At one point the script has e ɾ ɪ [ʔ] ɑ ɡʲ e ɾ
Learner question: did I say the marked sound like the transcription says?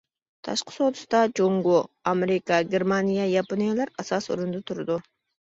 no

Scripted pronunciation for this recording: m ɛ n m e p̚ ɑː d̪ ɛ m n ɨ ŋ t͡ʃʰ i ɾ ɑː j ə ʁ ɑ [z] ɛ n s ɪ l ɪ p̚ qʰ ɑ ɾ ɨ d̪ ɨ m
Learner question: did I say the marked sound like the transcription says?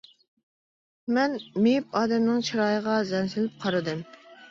yes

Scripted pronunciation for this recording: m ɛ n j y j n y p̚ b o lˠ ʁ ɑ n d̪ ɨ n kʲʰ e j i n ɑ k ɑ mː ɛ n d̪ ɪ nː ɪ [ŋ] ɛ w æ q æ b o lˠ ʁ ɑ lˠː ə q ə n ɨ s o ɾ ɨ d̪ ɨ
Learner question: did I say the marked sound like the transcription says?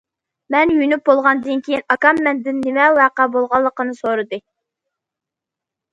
no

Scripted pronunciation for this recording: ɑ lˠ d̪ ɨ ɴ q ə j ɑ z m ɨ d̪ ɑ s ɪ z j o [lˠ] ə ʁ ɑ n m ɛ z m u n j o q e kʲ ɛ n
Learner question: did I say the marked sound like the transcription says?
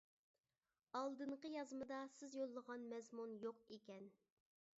no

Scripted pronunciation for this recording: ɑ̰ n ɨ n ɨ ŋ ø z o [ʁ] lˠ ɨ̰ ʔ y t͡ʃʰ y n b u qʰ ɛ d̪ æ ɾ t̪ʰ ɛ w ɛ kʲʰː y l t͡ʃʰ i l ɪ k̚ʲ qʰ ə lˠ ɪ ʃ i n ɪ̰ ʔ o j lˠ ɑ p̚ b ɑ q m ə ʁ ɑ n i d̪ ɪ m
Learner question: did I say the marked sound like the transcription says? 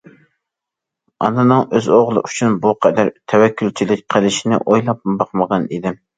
yes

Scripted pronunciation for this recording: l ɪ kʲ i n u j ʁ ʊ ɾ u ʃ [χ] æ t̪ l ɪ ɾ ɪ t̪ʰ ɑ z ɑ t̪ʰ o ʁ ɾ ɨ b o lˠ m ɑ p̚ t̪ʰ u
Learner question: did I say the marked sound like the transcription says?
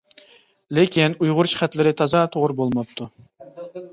yes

